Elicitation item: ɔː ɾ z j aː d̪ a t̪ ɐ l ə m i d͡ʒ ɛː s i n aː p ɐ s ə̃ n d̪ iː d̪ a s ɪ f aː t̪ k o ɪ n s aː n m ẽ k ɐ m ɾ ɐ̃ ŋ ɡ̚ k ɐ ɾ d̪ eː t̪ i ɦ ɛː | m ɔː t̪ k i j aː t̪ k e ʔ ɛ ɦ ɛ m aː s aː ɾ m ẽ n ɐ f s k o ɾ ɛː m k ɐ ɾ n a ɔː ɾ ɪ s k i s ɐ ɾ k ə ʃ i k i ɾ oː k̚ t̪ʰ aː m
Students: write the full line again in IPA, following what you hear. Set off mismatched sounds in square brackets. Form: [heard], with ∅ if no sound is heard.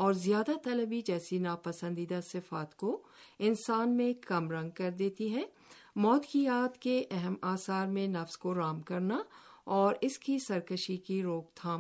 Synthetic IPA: ɔː ɾ z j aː d̪ a t̪ ɐ l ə [b] i d͡ʒ ɛː s i n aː p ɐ s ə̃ n d̪ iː d̪ a s ɪ f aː t̪ k o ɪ n s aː n m ẽ k ɐ m ɾ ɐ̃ ŋ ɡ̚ k ɐ ɾ d̪ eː t̪ i ɦ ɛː | m ɔː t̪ k i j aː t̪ k e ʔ ɛ ɦ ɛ m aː s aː ɾ m ẽ n ɐ f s k o ɾ [aː] m k ɐ ɾ n a ɔː ɾ ɪ s k i s ɐ ɾ k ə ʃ i k i ɾ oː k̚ t̪ʰ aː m